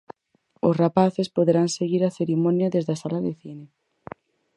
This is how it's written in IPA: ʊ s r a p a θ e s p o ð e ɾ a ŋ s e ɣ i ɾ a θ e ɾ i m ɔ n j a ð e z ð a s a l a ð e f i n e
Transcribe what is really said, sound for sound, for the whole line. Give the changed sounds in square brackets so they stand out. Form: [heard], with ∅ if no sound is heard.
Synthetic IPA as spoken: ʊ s r a p a θ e s p o ð e ɾ a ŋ s e ɣ i ɾ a θ e ɾ i m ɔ n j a ð e z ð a s a l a ð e [θ] i n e